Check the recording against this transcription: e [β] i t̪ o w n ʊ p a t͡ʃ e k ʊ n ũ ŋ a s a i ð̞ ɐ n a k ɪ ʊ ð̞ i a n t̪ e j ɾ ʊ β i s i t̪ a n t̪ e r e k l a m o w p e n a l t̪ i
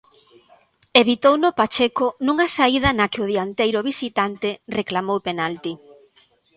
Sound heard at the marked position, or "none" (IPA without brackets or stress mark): β